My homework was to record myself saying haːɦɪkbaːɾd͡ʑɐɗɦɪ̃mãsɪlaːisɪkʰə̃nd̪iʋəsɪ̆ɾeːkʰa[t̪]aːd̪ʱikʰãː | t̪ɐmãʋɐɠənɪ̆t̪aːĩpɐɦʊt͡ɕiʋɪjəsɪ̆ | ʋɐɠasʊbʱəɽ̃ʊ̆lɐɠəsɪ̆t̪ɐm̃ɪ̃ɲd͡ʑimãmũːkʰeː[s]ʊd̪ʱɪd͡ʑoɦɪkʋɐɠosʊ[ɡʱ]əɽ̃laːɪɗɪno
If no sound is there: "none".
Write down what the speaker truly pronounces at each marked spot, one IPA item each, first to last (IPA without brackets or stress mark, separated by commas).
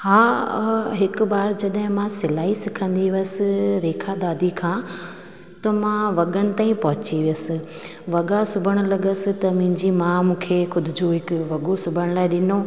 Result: d̪, x, bʱ